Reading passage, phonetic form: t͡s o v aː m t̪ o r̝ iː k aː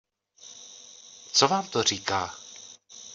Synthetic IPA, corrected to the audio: t͡s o v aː m t̪ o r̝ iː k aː